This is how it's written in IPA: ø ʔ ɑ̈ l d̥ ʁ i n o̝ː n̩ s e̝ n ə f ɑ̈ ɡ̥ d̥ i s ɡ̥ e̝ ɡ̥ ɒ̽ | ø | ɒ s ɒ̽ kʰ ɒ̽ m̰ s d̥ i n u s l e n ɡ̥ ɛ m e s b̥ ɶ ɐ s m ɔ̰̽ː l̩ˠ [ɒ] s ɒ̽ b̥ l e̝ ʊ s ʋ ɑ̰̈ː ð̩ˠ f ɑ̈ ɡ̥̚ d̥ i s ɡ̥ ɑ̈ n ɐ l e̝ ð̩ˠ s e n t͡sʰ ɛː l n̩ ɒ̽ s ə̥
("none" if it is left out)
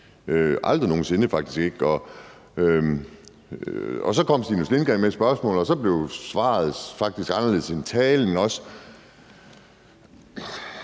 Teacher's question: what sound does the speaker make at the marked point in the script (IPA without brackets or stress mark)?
ɒ